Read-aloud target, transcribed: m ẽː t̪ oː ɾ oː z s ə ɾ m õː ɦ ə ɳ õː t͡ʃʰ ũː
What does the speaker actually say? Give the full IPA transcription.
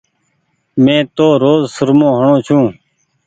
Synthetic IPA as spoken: m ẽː t̪ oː ɾ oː z s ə ɾ m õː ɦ ə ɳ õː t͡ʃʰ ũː